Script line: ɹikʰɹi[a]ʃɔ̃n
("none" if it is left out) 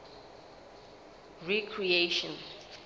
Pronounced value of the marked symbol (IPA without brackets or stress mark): e